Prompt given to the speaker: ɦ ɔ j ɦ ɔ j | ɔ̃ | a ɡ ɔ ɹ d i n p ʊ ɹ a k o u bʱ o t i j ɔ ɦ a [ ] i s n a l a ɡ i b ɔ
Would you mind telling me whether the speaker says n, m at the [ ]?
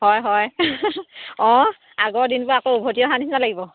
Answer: n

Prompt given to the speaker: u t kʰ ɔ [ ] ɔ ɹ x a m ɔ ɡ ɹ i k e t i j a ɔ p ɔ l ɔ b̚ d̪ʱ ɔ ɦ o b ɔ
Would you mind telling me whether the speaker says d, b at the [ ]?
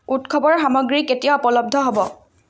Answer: b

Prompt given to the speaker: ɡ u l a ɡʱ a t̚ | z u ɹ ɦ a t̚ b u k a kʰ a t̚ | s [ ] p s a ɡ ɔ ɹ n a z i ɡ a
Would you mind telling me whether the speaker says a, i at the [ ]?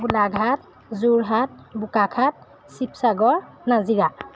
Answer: i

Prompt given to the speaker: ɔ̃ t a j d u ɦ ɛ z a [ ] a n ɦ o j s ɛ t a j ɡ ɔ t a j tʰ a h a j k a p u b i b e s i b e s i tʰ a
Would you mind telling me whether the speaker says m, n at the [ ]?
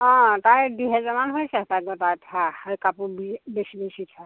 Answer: m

